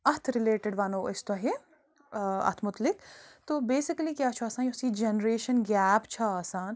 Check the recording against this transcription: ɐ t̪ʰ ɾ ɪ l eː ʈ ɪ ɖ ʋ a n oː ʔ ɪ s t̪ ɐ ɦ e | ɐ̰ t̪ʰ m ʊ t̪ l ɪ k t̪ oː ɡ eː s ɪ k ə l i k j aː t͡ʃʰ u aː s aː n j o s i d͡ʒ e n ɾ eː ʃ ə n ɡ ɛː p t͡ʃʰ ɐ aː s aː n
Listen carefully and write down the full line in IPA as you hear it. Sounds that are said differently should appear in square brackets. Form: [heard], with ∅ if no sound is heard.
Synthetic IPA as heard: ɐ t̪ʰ ɾ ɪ l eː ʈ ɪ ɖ ʋ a n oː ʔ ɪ s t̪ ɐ ɦ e | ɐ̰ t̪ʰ m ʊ t̪ l ɪ k t̪ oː [b] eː s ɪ k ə l i k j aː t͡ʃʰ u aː s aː n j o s i d͡ʒ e n ɾ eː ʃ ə n ɡ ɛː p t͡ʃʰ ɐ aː s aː n